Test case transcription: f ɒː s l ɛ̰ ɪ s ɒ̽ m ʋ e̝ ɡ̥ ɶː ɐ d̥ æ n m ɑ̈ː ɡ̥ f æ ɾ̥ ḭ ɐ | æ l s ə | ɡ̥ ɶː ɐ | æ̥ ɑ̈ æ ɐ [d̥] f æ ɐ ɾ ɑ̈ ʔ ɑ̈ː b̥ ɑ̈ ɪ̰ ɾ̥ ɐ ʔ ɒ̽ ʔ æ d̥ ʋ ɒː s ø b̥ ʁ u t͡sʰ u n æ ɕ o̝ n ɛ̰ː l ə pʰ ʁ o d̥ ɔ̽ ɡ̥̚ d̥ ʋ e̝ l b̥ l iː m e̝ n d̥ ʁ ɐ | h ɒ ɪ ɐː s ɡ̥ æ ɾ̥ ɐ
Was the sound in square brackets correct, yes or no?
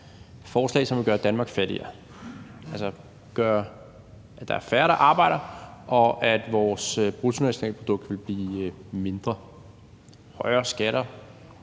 no